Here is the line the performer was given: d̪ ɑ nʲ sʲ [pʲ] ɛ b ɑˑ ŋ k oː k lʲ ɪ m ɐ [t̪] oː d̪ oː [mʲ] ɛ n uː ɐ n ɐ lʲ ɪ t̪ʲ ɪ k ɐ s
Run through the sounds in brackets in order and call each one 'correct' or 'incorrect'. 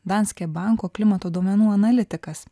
incorrect: kʲ, correct, correct

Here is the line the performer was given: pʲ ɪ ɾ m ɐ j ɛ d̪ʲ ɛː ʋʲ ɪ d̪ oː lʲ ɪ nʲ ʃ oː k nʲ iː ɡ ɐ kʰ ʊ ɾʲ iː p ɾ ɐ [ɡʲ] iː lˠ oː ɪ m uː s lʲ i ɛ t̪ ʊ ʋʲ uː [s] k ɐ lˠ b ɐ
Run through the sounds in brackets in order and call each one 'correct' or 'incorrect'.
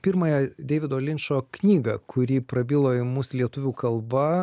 incorrect: bʲ, incorrect: none

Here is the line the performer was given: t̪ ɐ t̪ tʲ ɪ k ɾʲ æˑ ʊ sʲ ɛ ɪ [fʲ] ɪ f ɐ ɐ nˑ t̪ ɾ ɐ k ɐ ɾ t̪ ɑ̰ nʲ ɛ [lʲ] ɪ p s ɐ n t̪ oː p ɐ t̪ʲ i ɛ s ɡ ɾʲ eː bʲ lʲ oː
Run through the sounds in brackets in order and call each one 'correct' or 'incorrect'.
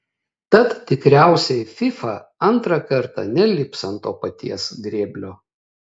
correct, correct

